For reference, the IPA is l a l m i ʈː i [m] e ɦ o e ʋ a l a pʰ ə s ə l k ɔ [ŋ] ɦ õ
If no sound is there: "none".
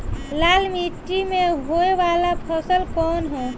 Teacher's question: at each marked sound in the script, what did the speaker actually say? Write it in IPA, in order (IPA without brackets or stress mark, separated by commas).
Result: m, n